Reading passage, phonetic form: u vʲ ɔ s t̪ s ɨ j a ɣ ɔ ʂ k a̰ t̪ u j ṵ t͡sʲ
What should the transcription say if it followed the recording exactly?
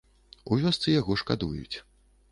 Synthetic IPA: u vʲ ɔ s t̪ s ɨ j a ɣ ɔ ʂ k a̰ d̪ u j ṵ t͡sʲ